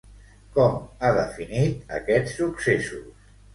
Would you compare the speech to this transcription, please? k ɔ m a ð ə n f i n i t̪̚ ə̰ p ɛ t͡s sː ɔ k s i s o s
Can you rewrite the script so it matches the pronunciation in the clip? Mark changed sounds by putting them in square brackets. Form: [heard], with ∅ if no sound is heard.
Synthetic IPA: k ɔ m a ð ə [∅] f i n i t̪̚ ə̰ [k] ɛ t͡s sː [u] k s [e] s [u] s